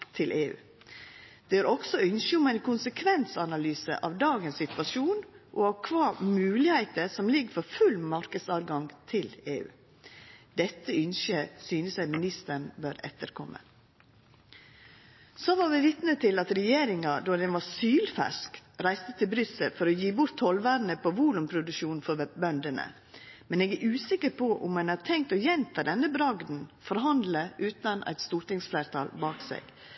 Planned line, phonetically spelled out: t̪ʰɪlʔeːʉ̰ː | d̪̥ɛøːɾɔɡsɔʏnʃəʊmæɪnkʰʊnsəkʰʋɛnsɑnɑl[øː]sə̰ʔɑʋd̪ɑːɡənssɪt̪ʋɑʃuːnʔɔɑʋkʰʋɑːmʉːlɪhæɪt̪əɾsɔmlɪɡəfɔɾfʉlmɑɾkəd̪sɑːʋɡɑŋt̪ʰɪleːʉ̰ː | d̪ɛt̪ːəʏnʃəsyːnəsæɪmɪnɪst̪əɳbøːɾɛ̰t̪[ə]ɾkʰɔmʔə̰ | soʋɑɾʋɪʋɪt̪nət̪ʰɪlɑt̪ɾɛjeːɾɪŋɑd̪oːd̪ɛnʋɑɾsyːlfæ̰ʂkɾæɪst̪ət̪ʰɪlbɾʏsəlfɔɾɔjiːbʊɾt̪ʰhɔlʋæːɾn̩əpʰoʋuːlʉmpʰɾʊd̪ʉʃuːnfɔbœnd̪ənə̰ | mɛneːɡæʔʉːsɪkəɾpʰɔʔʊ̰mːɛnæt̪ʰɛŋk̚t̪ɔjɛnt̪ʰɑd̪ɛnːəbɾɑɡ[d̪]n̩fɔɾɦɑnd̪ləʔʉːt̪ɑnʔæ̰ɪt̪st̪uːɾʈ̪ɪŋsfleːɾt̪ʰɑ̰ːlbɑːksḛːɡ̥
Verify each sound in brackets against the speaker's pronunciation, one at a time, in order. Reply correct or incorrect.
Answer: incorrect: yː, correct, correct

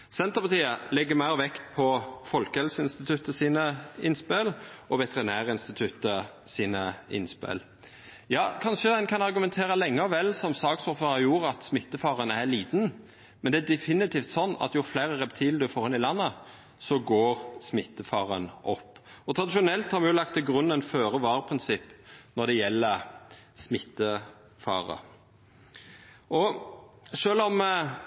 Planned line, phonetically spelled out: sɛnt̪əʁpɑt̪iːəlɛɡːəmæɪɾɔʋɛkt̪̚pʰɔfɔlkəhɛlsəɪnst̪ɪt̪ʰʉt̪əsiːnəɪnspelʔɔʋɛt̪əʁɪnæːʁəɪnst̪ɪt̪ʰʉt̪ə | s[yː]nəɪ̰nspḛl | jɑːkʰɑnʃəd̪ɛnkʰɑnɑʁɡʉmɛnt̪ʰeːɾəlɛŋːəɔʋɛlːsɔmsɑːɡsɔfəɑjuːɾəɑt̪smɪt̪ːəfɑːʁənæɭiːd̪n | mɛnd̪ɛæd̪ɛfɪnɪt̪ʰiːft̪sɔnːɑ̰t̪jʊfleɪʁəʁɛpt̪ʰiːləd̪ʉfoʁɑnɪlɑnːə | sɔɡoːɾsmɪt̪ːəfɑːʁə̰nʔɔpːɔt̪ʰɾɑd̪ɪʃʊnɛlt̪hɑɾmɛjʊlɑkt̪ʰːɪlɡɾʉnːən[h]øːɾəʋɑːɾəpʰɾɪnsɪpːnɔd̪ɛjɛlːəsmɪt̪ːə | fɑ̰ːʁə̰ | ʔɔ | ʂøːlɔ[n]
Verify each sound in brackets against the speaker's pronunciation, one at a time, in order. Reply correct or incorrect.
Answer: incorrect: iː, incorrect: f, incorrect: m

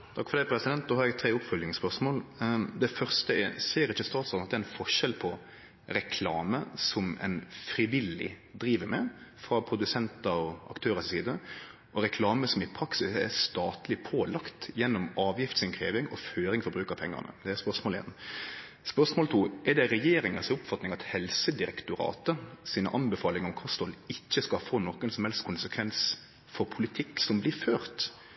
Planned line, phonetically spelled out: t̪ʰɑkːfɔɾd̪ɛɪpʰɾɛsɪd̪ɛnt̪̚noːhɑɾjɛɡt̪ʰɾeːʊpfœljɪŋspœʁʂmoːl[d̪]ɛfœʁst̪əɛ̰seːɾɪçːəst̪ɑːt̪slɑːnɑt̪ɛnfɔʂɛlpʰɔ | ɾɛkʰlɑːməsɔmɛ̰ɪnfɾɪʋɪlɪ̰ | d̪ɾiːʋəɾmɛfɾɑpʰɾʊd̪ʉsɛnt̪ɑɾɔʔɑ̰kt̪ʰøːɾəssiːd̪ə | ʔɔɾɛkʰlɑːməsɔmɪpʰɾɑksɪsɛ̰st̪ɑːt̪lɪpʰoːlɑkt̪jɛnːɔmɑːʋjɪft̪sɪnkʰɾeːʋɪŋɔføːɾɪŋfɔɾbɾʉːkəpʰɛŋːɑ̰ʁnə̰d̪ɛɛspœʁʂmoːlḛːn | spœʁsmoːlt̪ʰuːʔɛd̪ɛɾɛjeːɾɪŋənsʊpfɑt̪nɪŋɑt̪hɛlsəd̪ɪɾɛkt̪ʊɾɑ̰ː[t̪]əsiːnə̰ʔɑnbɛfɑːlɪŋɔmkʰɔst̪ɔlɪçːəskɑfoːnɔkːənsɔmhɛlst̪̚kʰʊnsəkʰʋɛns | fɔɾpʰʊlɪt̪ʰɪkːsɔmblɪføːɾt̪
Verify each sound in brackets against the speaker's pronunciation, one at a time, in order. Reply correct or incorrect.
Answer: correct, correct

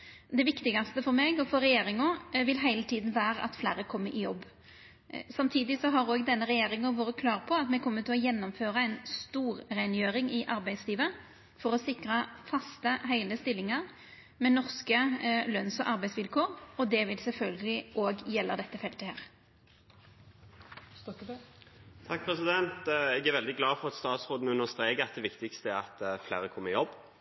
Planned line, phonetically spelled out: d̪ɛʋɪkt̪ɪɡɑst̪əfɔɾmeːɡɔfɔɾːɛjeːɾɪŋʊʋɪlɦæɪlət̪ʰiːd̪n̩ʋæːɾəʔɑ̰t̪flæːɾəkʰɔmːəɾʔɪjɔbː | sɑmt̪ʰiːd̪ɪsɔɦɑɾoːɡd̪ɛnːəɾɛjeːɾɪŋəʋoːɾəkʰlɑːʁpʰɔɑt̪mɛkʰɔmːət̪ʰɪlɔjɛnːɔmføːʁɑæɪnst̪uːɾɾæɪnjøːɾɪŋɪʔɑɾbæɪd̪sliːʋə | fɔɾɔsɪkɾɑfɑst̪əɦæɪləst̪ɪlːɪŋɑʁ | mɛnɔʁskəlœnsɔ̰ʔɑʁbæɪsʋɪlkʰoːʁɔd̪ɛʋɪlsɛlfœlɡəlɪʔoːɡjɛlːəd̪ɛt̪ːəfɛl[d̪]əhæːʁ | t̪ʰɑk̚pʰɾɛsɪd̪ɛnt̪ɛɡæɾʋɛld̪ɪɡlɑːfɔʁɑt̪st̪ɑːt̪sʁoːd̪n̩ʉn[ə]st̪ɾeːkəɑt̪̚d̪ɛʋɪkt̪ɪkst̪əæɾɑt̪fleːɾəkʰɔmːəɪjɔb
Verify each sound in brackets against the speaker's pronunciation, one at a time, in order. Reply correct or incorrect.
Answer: incorrect: t̪, correct

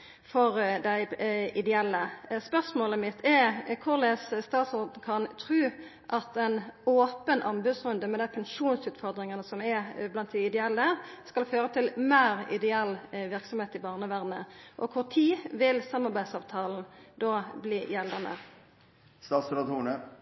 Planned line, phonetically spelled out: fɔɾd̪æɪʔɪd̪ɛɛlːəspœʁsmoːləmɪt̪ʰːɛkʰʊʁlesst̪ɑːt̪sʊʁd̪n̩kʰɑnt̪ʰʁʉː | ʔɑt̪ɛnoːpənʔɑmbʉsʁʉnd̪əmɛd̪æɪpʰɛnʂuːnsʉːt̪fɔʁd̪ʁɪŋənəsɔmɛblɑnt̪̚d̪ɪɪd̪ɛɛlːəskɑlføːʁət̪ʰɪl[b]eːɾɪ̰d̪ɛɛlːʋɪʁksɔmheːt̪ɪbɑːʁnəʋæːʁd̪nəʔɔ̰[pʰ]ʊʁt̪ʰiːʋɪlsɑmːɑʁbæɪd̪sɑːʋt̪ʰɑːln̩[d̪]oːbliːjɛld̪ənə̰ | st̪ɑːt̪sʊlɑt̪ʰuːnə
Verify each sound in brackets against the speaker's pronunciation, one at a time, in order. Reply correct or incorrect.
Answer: incorrect: m, incorrect: kʰ, correct

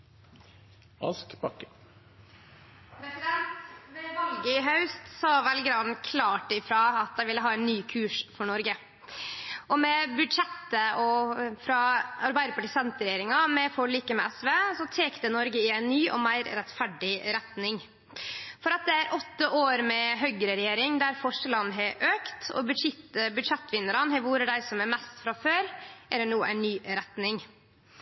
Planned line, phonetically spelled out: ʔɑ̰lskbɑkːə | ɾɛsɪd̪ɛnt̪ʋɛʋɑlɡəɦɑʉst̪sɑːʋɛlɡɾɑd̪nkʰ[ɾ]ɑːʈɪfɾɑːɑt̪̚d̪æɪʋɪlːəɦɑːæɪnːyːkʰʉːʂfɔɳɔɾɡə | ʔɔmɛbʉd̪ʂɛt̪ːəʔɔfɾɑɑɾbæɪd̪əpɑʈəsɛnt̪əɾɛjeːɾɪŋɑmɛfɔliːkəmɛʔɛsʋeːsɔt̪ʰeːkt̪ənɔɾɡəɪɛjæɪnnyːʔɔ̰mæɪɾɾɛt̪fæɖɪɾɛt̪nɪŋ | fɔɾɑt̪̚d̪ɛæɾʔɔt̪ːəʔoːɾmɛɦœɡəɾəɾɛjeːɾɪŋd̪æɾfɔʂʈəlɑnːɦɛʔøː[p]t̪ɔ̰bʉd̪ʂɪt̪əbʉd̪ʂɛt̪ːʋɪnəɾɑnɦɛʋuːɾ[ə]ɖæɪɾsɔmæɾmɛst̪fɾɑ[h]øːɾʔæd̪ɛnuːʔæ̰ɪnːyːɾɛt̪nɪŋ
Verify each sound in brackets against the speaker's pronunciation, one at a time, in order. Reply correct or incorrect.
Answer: incorrect: l, incorrect: k, correct, incorrect: f

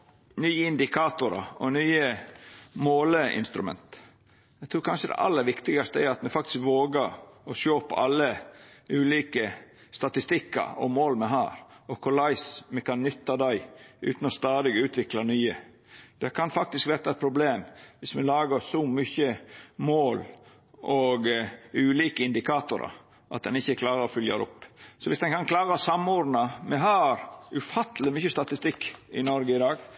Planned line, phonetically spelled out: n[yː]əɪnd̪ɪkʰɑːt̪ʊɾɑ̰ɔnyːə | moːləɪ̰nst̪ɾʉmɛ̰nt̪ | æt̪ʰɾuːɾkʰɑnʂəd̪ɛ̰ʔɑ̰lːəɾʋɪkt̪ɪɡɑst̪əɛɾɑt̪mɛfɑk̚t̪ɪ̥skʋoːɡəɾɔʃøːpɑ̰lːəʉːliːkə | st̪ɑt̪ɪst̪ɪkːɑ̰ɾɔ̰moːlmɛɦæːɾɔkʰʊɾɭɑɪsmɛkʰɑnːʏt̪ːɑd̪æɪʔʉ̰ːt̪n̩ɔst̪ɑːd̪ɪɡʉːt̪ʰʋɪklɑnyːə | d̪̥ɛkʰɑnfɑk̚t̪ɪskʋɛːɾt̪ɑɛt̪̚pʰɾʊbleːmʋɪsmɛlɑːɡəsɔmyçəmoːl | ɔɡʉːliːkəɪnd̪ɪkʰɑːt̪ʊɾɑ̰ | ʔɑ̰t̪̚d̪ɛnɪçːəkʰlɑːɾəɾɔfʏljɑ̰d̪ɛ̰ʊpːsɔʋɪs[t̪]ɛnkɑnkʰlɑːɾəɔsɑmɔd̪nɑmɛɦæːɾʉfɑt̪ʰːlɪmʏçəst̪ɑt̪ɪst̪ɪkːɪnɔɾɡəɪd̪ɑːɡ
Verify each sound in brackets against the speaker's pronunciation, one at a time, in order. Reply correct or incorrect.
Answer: correct, incorrect: d̪

